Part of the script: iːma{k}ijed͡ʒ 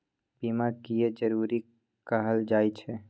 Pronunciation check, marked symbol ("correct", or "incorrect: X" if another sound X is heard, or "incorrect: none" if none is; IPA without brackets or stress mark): correct